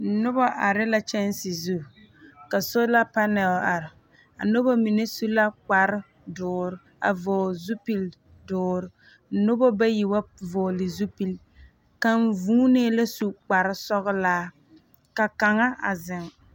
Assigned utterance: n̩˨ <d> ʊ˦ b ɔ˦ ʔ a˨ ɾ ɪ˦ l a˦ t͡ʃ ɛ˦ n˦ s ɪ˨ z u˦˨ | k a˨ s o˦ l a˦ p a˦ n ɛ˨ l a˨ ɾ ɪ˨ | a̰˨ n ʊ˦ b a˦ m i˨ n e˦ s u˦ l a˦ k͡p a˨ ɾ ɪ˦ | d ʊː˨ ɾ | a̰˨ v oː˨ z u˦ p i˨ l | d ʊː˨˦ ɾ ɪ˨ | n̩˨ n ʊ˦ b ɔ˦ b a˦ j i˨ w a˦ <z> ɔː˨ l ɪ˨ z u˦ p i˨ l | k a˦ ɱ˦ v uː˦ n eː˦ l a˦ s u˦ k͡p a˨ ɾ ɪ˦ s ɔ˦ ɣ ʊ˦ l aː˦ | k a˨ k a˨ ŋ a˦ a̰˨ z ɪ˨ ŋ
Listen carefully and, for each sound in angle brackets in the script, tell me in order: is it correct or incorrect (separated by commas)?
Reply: incorrect, incorrect